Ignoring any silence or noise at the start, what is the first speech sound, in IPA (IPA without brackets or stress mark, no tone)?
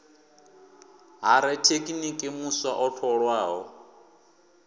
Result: ɦ